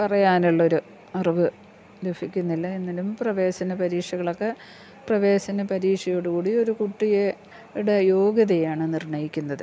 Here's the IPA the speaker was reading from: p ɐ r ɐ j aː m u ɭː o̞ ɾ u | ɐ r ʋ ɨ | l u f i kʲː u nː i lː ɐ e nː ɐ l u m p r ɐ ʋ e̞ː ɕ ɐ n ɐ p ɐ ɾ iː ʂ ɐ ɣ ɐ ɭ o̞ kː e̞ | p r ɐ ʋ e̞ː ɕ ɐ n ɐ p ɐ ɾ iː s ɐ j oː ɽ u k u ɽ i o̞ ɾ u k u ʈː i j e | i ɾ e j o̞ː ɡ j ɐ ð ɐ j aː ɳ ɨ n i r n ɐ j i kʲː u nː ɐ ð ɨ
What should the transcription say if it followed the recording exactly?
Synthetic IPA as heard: p ɐ r ɐ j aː n u ɭː o̞ ɾ u | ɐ r ʋ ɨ | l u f i kʲː u nː i lː ɐ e nː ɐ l u m p r ɐ ʋ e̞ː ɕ ɐ n ɐ p ɐ ɾ iː ʂ ɐ ɣ ɐ ɭ o̞ kː e̞ | p r ɐ ʋ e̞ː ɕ ɐ n ɐ p ɐ ɾ iː ʂ ɐ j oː ɽ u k uː ɽ i o̞ ɾ u k u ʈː i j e | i ɽ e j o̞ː ɡ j ɐ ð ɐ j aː ɳ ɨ n i r ɳ ɐ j i kʲː u nː ɐ ð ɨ